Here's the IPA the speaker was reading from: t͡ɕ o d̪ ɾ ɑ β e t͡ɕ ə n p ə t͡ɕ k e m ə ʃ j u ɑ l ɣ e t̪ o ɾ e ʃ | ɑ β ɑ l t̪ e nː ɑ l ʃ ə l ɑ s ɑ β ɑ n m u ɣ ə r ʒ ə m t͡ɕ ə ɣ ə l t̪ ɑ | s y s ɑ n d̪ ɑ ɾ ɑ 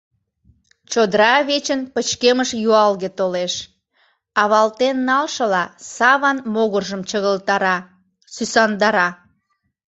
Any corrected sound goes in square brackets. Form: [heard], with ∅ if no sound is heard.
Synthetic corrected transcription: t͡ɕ o d̪ ɾ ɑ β e t͡ɕ ə n p ə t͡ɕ k e m ə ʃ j u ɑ l ɣ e t̪ o [l] e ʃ | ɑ β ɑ l t̪ e nː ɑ l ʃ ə l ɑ s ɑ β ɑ n m [o] ɣ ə r ʒ ə m t͡ɕ ə ɣ ə l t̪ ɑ | s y s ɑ n d̪ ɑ ɾ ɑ